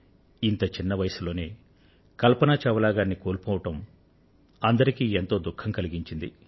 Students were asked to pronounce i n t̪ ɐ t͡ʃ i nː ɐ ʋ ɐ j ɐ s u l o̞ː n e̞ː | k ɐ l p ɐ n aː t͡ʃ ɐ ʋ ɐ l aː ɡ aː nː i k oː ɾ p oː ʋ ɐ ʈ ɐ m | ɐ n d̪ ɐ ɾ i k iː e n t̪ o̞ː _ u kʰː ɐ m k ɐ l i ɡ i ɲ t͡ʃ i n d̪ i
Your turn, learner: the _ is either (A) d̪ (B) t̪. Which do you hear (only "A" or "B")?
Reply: A